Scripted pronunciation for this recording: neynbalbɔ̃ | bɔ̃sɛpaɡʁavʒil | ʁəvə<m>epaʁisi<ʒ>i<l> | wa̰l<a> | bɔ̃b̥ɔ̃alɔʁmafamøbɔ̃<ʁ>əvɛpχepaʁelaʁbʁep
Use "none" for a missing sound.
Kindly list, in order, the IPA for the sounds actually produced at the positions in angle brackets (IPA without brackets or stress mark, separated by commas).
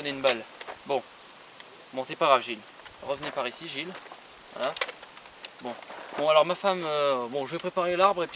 n, ʒ, l, a, ʒ